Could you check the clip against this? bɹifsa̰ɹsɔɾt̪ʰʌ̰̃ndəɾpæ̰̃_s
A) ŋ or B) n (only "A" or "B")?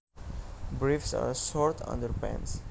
B